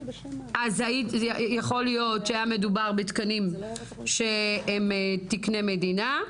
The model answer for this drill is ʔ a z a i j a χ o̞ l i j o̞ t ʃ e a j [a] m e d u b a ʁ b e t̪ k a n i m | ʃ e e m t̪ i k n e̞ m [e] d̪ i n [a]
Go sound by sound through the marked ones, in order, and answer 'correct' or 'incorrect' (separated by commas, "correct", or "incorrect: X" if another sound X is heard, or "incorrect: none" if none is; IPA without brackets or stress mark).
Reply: correct, correct, correct